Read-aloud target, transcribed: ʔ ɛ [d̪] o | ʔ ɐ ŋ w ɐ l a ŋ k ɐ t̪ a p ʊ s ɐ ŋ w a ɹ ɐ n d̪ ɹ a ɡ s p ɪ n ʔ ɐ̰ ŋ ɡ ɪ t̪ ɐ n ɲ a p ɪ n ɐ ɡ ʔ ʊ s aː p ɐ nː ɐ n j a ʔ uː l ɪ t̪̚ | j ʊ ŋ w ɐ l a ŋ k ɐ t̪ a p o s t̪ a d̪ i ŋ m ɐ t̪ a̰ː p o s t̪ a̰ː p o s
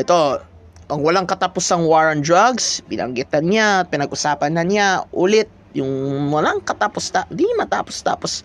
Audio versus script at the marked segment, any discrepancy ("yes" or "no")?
yes